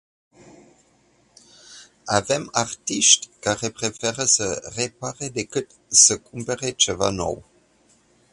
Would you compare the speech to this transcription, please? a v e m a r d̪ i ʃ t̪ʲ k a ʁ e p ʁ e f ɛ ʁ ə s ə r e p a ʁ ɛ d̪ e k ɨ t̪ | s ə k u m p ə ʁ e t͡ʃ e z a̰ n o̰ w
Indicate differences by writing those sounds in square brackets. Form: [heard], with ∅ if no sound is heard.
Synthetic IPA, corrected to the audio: a v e m a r [t̪] i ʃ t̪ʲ k a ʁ e p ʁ e f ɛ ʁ ə s ə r e p a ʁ [e] d̪ e k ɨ t̪ | s ə k u m p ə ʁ e t͡ʃ e [v] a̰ n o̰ w